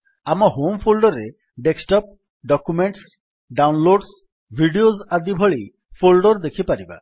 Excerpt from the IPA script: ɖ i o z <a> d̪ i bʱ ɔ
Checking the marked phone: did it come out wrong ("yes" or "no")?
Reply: no